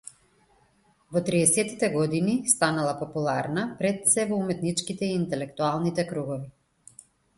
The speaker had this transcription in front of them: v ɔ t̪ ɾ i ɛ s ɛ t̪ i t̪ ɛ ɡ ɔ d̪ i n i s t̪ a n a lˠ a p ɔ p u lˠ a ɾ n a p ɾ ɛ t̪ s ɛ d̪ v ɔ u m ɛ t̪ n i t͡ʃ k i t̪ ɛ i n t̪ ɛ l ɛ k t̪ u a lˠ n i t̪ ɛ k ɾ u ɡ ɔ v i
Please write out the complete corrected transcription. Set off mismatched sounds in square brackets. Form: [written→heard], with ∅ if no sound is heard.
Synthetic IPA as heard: v ɔ t̪ ɾ i ɛ s ɛ t̪ i t̪ ɛ ɡ ɔ d̪ i n i s t̪ a n a lˠ a p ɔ p u lˠ a ɾ n a p ɾ ɛ t̪ s ɛ [d̪→∅] v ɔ u m ɛ t̪ n i t͡ʃ k i t̪ ɛ [i→iː] n t̪ ɛ l ɛ k t̪ u a lˠ n i t̪ ɛ k ɾ u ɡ ɔ v i